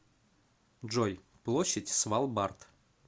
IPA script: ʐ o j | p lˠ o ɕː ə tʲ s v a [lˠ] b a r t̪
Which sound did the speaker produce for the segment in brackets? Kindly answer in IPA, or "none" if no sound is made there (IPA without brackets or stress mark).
lˠ